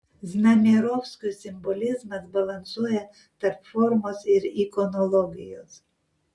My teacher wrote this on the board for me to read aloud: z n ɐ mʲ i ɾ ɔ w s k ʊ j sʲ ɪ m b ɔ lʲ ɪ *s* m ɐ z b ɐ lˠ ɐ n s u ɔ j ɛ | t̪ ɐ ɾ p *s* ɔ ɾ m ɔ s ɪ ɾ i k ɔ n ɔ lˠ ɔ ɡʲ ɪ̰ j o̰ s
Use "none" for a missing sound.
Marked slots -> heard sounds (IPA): z, f

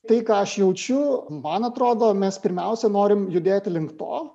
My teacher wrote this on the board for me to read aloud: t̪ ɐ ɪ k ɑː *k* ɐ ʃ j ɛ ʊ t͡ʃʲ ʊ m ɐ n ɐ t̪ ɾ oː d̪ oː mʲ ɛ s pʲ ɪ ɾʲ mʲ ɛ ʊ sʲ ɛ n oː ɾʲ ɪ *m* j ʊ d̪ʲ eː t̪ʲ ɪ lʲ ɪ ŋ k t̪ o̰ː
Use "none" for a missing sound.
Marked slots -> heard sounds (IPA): none, m

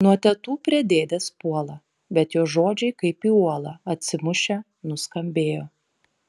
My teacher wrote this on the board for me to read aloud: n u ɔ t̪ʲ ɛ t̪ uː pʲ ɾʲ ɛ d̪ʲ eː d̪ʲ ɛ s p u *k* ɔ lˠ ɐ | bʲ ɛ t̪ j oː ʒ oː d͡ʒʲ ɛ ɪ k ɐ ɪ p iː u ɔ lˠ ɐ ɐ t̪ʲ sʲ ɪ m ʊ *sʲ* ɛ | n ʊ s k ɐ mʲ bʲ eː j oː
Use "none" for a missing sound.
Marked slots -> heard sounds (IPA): none, ʃʲ

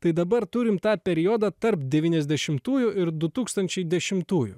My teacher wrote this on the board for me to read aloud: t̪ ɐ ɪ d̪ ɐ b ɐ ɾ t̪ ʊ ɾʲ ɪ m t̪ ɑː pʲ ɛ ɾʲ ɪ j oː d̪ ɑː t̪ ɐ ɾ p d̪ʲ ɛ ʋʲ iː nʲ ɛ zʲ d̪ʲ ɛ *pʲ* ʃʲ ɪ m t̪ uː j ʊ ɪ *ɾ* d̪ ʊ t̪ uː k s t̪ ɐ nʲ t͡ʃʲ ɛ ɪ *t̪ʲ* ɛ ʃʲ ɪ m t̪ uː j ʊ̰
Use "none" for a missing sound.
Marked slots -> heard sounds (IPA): none, ɾ, d̪ʲ

